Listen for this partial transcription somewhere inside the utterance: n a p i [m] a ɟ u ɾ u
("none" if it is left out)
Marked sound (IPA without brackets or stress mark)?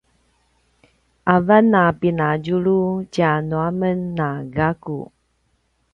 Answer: n